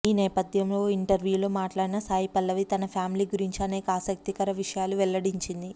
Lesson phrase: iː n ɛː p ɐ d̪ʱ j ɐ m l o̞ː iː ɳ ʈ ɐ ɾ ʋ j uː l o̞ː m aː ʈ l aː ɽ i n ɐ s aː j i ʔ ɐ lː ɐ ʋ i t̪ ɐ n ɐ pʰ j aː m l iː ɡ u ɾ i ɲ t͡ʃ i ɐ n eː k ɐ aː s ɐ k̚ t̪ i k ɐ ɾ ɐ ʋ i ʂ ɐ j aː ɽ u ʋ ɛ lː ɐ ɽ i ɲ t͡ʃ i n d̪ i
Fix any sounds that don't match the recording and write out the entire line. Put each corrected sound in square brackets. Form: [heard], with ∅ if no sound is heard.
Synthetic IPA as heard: iː n ɛː p ɐ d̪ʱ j ɐ m l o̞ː [i] ɳ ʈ ɐ ɾ ʋ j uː l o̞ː m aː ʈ l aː ɽ i n ɐ s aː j i [p] ɐ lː ɐ ʋ i t̪ ɐ n ɐ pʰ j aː m l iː ɡ u ɾ i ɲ t͡ʃ i ɐ n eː k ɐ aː s ɐ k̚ t̪ i k ɐ ɾ ɐ ʋ i ʂ ɐ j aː [l] u ʋ ɛ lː ɐ ɽ i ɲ t͡ʃ i n d̪ i